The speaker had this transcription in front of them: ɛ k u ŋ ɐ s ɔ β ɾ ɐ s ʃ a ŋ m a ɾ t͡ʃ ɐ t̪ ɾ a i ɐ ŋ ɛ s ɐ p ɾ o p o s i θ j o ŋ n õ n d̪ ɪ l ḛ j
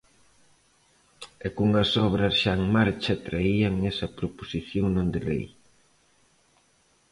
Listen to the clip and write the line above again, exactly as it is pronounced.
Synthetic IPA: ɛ k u ŋ ɐ s ɔ β ɾ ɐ s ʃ a ŋ m a ɾ t͡ʃ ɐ t̪ ɾ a i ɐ ŋ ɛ s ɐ p ɾ o p o s i θ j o ŋ n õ n d̪ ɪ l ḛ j